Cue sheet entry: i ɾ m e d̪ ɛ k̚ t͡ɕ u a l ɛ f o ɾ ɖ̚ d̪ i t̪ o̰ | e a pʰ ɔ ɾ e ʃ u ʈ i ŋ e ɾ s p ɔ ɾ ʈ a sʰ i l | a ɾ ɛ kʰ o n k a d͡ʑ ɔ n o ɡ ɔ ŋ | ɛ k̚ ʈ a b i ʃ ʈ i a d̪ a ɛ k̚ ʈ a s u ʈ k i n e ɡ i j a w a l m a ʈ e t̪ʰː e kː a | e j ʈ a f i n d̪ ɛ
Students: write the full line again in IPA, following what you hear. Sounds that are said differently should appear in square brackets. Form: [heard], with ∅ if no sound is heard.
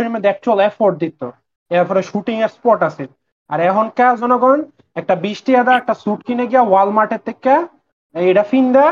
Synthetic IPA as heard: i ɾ m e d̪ ɛ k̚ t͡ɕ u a l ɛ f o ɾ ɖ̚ d̪ i t̪ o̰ | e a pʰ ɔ ɾ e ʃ u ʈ i ŋ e ɾ s p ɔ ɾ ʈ a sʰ i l | a ɾ ɛ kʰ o n k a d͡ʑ ɔ n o ɡ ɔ [n] | ɛ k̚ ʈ a b i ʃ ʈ i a d̪ a ɛ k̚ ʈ a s u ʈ k i n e ɡ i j a w a l m a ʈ e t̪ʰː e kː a | e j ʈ a f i n d̪ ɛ